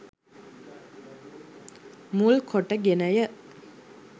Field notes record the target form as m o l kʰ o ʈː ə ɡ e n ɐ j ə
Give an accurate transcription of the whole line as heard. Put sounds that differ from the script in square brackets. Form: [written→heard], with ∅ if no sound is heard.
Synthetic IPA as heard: m [o→u] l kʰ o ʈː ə ɡ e n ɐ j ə